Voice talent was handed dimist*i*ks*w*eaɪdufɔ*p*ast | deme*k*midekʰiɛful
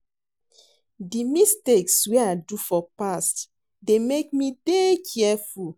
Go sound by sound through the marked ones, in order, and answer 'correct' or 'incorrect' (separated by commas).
incorrect, correct, correct, correct